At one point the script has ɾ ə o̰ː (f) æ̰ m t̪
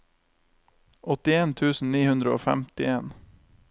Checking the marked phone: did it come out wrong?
no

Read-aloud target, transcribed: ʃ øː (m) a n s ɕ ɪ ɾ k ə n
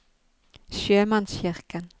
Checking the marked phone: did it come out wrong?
no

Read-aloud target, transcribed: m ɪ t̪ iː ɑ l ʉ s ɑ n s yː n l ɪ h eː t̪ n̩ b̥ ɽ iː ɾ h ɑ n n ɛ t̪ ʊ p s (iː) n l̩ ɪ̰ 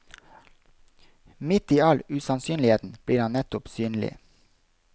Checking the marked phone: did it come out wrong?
yes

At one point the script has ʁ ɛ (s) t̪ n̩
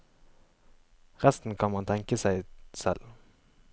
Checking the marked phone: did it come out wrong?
no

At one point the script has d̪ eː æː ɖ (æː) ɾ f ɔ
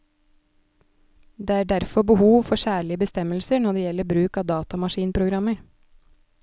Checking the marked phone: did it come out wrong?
yes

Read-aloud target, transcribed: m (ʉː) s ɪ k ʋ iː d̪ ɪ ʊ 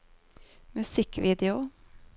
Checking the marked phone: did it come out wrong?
yes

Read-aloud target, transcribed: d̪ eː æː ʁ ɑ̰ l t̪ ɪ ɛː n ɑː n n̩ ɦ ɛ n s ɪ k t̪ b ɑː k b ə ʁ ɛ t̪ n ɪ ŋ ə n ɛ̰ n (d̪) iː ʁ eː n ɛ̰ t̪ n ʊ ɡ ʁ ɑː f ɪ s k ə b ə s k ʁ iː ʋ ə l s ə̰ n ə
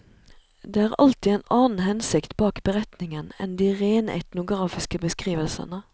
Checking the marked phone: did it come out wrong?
no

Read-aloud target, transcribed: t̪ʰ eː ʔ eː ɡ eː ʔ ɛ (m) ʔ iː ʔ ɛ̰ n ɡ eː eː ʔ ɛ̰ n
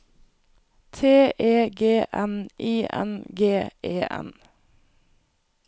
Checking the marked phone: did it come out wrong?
yes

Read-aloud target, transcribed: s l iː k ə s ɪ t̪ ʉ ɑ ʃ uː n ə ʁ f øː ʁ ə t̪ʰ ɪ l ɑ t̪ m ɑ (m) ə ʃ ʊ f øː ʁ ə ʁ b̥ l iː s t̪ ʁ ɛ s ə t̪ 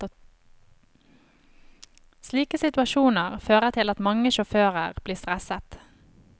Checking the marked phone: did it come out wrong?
yes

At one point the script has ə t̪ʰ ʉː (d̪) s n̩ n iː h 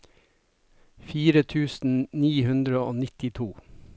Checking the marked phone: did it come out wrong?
yes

